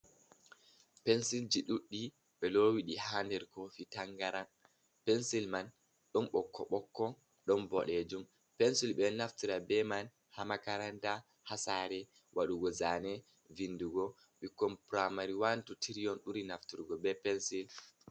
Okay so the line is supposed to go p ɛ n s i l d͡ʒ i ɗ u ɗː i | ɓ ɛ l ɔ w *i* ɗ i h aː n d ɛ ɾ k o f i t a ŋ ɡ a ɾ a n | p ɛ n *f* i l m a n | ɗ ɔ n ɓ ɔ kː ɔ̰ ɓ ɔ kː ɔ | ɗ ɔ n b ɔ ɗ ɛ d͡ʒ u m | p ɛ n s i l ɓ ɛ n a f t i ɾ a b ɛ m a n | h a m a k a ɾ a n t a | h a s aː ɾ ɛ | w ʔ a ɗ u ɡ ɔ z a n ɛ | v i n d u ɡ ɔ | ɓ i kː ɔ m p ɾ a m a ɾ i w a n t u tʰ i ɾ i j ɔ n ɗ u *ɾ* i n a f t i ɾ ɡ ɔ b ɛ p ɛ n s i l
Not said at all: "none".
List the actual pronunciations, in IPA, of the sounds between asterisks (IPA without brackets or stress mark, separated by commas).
i, s, ɾ